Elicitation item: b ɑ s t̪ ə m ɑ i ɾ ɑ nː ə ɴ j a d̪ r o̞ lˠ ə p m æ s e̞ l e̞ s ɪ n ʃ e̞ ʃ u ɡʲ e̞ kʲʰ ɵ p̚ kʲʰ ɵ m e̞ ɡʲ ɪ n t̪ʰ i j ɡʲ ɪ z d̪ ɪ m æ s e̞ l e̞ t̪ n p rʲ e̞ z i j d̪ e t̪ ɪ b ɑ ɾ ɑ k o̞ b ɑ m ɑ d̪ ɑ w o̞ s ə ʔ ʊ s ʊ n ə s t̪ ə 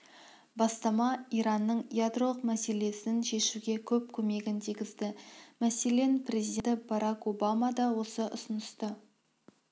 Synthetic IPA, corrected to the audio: b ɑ s t̪ ɑ m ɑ i ɾ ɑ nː ə ɴ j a d̪ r o̞ lˠ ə q m æ s e̞ l e̞ s ɪ n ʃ e̞ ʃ u ɡʲ e̞ kʲʰ ɵ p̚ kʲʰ ɵ m e̞ ɡʲ ɪ n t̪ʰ i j ɡʲ ɪ z d̪ ɪ m æ s e̞ l e̞ n p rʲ e̞ z i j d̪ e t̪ ɪ b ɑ ɾ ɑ k o̞ b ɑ m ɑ d̪ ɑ w o̞ s ə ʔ ʊ s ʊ n ə s t̪ ə